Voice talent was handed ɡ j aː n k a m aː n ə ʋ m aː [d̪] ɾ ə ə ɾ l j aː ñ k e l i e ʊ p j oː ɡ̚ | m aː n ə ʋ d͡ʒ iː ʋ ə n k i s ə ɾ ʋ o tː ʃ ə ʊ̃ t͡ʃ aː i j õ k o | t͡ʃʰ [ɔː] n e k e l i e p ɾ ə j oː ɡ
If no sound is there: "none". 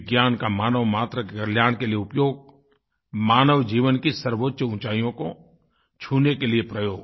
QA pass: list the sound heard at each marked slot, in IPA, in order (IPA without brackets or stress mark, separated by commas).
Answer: t̪, uː